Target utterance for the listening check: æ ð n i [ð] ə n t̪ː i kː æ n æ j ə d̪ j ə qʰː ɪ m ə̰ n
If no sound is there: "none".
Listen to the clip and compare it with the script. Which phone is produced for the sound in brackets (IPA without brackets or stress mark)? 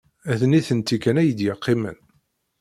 θ